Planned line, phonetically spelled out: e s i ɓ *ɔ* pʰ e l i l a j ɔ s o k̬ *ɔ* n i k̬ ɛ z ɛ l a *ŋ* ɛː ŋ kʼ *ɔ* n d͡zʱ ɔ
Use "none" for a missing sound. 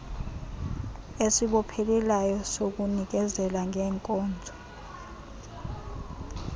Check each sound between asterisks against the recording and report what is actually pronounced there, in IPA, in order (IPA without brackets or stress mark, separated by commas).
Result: ɔ, u, ŋ, ɔː